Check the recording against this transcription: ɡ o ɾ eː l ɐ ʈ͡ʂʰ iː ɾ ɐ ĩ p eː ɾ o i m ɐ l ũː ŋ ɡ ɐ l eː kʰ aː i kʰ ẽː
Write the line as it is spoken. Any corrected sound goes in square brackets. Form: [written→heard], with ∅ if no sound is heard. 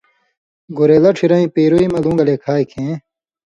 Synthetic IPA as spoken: ɡ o ɾ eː l ɐ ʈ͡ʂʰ [iː→i] ɾ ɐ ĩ p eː ɾ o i m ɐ l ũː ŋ ɡ ɐ l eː kʰ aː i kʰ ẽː